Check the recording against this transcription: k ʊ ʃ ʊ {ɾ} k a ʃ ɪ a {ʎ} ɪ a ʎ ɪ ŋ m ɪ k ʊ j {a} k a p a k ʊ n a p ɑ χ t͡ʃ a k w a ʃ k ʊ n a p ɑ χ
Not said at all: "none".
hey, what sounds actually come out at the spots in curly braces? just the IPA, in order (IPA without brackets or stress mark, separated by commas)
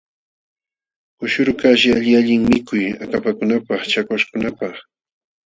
ɾ, ʎ, a